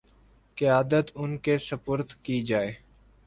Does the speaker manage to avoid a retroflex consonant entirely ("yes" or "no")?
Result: yes